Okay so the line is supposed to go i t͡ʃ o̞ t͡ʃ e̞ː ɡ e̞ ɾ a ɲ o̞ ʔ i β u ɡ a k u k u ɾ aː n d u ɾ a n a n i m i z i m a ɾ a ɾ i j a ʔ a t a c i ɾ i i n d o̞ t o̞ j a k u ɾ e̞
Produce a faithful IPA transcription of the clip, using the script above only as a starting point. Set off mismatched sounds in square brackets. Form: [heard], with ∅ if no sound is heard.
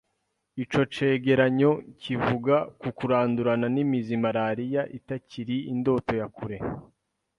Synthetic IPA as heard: i t͡ʃ o̞ t͡ʃ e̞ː ɡ e̞ ɾ a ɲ o̞ [c] i [v] u ɡ a k u k u ɾ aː n d u ɾ a n a n i m i z i m a ɾ a ɾ i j a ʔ [i] t a c i ɾ i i n d o̞ t o̞ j a k u ɾ e̞